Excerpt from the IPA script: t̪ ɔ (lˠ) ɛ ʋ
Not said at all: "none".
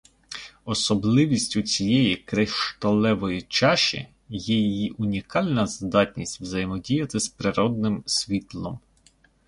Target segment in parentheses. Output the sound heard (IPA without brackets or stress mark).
lˠ